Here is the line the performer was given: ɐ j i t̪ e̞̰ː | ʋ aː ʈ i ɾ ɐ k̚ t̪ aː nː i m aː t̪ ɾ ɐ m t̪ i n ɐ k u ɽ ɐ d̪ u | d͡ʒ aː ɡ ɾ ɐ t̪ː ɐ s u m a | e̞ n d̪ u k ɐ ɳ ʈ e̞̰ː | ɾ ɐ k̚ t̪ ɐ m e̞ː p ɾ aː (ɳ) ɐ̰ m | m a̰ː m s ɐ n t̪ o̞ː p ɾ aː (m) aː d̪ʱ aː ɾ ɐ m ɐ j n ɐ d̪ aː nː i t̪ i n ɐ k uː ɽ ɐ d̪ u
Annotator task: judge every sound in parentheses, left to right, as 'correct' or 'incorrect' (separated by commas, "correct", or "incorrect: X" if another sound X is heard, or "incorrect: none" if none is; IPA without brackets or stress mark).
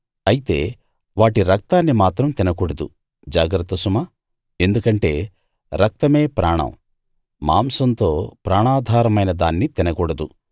correct, incorrect: ɳ